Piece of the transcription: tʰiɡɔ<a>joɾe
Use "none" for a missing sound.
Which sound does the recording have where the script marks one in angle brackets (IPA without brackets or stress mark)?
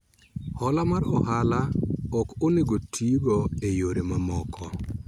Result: e